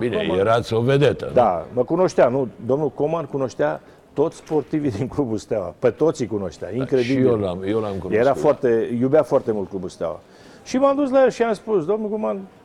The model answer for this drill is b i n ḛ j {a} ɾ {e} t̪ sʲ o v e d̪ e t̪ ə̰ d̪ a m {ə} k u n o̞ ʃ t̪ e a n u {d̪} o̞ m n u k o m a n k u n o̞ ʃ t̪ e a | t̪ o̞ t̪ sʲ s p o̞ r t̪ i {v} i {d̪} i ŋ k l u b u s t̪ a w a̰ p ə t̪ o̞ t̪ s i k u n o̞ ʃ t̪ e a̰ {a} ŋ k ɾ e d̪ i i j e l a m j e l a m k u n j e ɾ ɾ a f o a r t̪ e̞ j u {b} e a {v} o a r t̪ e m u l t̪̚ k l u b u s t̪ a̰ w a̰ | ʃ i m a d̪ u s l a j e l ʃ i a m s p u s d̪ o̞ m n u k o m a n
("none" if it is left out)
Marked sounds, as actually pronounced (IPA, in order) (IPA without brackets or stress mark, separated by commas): e, a, ə, d̪, v, d̪, i, b, f